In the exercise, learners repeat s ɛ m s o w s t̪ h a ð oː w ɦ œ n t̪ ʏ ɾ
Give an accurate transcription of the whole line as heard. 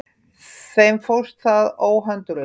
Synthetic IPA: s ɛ m f o w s t̪ θ a ð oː w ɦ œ n t̪ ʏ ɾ